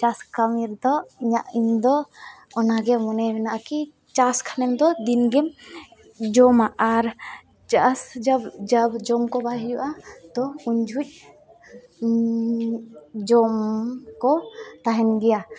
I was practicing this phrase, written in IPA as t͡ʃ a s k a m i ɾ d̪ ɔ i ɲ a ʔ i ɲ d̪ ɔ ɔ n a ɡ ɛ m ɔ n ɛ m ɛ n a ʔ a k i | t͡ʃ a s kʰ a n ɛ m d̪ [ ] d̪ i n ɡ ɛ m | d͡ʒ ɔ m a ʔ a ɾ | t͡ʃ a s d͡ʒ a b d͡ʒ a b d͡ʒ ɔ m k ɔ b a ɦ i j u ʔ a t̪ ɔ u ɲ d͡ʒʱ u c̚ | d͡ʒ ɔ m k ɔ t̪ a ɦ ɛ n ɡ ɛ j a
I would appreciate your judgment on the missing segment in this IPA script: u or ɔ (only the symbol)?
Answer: ɔ